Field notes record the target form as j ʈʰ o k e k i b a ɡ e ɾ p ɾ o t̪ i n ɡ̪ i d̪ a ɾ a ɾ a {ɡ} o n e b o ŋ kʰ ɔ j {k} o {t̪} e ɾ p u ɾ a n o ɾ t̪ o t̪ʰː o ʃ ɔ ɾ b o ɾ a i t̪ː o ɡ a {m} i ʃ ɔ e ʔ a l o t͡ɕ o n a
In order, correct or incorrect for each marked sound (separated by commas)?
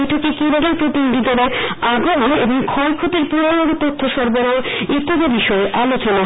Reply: correct, incorrect, correct, incorrect